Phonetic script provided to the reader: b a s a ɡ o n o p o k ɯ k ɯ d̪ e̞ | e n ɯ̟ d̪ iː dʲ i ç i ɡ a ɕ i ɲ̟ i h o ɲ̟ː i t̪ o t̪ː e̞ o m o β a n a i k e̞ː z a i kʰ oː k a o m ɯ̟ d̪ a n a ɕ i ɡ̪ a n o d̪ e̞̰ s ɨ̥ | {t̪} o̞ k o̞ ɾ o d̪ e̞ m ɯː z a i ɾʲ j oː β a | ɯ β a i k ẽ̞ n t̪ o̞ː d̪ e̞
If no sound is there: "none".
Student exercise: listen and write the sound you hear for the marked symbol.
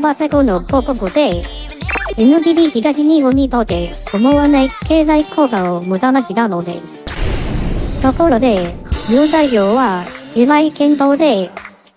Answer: t̪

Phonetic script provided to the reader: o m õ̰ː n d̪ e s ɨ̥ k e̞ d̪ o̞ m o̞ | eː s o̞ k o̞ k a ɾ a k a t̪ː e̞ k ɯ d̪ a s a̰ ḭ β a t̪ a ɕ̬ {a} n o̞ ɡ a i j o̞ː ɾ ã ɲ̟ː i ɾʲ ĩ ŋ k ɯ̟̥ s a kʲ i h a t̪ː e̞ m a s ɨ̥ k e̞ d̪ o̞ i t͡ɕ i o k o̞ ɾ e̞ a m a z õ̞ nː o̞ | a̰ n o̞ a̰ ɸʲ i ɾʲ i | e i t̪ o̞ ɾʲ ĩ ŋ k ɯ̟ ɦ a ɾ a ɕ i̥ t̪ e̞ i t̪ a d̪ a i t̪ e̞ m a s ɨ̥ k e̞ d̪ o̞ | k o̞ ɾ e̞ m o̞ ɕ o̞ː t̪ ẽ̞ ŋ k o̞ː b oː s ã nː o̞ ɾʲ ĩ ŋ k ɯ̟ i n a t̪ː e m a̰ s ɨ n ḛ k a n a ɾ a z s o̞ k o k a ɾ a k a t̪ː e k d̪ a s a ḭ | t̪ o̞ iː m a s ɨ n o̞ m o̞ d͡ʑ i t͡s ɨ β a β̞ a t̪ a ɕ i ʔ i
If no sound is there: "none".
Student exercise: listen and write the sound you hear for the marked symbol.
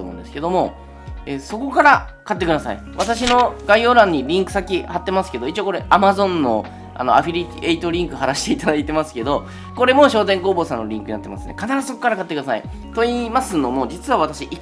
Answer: i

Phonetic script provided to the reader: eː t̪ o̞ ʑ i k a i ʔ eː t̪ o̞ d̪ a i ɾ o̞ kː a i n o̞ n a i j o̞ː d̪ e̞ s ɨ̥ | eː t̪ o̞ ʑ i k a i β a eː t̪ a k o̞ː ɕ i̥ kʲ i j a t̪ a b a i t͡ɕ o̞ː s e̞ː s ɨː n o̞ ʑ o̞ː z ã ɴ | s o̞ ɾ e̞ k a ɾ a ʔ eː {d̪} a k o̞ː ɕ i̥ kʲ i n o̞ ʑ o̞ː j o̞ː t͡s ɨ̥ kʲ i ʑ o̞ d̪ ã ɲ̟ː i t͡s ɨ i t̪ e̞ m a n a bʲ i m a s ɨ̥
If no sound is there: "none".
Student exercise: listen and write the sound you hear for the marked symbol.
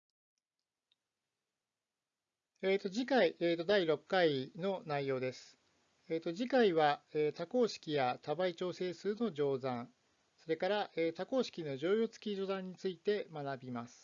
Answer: t̪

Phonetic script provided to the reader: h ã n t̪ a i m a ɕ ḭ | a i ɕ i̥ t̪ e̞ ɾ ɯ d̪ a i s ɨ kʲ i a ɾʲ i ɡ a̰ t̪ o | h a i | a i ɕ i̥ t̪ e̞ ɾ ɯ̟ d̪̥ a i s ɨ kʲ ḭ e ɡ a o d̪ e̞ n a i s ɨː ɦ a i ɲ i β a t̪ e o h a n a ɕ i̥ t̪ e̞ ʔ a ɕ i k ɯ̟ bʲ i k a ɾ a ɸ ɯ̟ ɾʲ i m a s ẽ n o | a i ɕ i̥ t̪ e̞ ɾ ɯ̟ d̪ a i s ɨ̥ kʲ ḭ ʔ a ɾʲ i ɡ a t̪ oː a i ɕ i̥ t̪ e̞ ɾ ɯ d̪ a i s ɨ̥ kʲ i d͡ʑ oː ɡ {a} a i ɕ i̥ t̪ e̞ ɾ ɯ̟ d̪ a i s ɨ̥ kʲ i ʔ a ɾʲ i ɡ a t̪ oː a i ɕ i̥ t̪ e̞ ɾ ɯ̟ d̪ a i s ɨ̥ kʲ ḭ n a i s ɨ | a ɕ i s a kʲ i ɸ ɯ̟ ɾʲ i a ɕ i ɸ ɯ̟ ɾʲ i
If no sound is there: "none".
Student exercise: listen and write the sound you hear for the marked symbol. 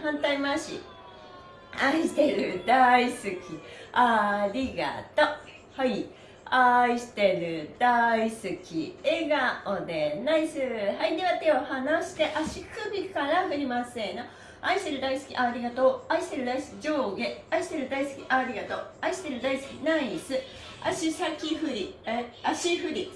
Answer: e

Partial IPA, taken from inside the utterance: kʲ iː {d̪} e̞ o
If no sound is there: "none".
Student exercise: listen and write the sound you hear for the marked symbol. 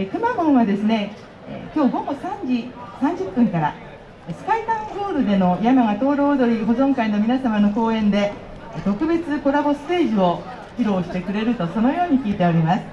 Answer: t̪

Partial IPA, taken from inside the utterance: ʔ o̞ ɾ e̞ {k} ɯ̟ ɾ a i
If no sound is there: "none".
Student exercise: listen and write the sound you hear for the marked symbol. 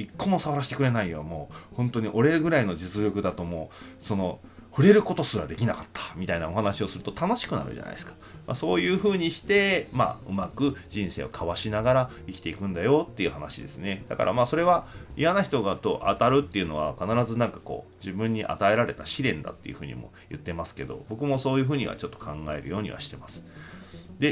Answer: ɡ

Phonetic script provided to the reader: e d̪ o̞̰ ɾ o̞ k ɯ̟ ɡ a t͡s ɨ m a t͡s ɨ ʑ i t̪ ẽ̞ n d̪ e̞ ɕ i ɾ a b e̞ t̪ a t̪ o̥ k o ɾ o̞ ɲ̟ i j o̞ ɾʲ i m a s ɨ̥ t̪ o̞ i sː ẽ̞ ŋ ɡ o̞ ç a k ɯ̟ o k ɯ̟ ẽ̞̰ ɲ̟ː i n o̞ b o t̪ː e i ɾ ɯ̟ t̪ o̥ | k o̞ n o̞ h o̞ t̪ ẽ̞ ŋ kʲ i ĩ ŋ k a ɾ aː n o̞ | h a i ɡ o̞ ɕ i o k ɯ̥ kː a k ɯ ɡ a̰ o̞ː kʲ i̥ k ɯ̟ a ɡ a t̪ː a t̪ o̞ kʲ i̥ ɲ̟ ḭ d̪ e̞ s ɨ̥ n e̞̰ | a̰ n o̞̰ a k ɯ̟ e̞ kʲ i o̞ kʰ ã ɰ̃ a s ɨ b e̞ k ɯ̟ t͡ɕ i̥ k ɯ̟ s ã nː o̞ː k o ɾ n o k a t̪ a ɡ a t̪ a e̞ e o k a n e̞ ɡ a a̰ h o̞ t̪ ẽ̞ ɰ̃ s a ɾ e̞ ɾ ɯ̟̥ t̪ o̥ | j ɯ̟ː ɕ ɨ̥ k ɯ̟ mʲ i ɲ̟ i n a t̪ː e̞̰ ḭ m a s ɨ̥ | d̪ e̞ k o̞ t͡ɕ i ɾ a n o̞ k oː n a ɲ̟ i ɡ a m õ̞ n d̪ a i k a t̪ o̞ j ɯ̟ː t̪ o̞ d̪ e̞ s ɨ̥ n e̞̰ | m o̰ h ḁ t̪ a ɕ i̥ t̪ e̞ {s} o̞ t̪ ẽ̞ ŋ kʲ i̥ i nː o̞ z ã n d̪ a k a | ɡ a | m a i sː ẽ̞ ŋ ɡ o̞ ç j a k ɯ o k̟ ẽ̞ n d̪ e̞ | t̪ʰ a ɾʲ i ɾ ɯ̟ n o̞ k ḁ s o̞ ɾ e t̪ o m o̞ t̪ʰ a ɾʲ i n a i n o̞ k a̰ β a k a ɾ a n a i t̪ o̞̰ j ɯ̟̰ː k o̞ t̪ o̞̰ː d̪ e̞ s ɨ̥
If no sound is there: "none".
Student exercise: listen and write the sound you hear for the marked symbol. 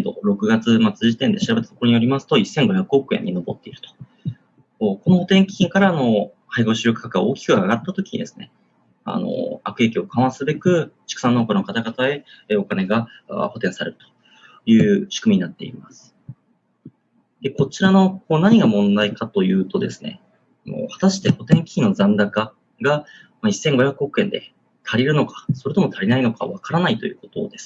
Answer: h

